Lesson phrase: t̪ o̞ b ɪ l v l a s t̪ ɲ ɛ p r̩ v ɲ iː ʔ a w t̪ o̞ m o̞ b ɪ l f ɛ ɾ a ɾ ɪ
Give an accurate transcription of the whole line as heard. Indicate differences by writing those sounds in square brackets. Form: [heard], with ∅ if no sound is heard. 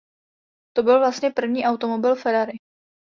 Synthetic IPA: t̪ o̞ b ɪ l v l a s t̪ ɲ ɛ p r̩ v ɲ iː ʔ a w t̪ o̞ m o̞ b ɪ l f ɛ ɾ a ɾ ɪ